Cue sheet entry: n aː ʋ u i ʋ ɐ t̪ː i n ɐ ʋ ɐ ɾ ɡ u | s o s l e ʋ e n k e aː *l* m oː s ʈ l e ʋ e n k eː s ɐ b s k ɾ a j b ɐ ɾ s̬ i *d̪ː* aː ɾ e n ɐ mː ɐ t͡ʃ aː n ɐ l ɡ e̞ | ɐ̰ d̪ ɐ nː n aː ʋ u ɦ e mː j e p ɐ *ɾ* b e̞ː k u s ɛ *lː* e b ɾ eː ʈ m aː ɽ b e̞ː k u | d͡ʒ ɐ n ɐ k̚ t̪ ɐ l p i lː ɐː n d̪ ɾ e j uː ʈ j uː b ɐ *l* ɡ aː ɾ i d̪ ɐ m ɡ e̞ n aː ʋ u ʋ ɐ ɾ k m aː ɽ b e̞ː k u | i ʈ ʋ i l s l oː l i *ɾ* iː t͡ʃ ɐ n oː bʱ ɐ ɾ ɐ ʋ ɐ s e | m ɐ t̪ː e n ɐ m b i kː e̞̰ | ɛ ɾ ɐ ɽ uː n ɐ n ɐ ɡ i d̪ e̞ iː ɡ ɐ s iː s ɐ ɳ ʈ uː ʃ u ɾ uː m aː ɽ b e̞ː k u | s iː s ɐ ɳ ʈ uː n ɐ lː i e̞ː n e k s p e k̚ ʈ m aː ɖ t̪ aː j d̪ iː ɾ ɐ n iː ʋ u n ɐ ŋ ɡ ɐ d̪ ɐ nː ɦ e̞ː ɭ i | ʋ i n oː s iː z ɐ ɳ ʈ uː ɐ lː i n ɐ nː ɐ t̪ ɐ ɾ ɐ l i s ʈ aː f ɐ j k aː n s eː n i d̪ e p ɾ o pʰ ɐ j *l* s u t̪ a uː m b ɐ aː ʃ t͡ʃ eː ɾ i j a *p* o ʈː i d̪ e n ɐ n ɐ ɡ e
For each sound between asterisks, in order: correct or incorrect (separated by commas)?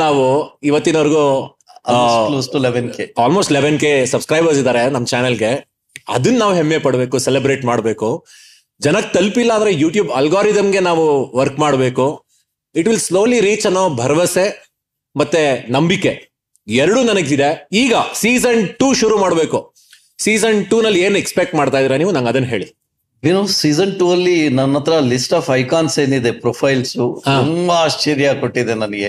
correct, incorrect, incorrect, incorrect, correct, correct, correct, incorrect